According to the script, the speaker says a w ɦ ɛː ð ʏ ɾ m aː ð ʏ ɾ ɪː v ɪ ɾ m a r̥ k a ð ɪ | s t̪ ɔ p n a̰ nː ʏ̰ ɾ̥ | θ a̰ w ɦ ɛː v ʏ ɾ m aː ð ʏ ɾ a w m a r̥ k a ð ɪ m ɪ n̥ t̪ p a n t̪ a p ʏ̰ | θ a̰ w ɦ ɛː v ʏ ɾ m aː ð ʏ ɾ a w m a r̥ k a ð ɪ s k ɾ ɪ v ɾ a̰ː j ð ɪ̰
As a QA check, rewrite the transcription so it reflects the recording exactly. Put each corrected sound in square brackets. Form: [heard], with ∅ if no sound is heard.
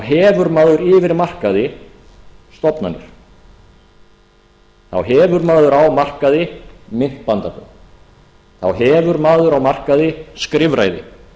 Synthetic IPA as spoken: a w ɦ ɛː [v] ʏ ɾ m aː ð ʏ ɾ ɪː v ɪ ɾ m a r̥ k a ð ɪ | s t̪ ɔ p n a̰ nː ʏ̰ ɾ̥ | θ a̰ w ɦ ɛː v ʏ ɾ m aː ð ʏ ɾ a w m a r̥ k a ð ɪ m ɪ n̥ t̪ p a n t̪ a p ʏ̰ | θ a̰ w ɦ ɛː v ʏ ɾ m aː ð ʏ ɾ a w m a r̥ k a ð ɪ s k ɾ ɪ v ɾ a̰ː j ð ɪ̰